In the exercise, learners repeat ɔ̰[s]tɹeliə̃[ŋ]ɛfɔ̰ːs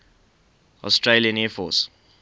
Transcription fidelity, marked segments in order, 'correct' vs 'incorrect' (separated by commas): correct, incorrect